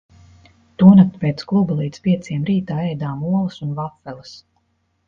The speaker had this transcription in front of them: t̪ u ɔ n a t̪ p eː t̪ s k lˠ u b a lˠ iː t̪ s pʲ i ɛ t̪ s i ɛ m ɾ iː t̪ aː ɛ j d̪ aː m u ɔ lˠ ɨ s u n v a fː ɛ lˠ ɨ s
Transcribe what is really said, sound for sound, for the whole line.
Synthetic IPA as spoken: t̪ u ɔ n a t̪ p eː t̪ s k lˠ u b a lˠ iː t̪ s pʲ i ɛ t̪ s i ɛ m ɾ iː t̪ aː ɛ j d̪ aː m u ɔ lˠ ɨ s u n v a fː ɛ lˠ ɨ s